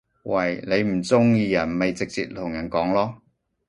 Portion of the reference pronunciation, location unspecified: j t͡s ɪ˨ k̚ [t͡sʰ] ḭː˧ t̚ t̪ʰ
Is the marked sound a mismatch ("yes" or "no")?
yes